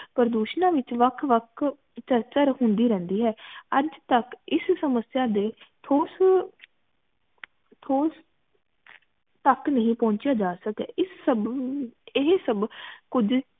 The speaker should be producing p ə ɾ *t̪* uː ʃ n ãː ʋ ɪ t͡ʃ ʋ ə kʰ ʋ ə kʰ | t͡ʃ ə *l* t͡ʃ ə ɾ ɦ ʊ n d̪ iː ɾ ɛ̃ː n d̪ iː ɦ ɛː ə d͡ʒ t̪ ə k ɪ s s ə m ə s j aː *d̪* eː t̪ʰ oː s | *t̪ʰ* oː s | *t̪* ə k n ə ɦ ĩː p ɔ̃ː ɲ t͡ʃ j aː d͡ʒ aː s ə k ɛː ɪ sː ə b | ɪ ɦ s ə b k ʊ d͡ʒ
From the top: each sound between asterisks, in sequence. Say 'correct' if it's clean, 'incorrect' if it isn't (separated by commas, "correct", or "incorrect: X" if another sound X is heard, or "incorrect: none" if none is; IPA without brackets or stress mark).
incorrect: d̪, incorrect: ɾ, correct, correct, correct